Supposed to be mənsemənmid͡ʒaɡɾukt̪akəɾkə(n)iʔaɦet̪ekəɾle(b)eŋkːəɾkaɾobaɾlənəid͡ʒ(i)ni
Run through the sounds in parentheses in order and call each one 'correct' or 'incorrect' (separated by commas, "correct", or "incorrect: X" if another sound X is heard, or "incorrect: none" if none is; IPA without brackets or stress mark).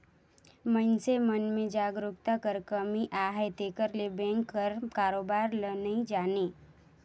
incorrect: m, correct, incorrect: a